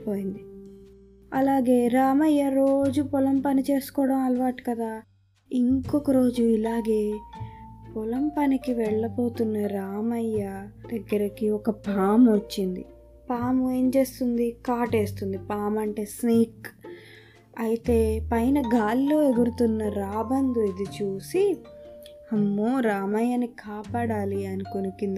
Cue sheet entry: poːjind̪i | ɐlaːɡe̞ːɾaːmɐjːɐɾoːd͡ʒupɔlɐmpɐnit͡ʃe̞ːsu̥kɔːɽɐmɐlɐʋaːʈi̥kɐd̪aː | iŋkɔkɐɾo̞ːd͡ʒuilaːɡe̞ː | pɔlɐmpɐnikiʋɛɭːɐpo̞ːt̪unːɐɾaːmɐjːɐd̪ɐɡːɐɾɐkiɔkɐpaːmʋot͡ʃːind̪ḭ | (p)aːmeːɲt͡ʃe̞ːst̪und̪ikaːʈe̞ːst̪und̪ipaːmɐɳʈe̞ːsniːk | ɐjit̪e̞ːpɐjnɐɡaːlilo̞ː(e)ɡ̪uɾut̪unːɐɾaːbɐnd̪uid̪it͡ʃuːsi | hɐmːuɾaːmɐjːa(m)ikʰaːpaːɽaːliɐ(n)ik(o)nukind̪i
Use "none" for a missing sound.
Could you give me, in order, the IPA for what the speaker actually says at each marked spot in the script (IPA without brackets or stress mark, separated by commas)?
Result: p, e, n, n, o